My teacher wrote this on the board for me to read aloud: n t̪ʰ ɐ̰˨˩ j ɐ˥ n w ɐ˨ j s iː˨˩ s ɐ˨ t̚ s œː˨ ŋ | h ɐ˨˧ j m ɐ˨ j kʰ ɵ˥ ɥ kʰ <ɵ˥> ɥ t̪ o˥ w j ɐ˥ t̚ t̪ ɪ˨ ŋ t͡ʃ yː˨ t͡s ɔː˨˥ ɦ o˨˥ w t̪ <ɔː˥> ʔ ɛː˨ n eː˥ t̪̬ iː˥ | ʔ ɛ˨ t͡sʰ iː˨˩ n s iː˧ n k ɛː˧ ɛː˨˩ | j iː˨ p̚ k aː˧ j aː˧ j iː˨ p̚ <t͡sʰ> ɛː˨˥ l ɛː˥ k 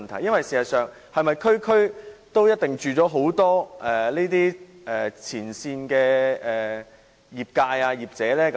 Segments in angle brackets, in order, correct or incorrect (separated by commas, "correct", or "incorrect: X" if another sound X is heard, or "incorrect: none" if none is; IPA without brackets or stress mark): correct, correct, incorrect: t͡s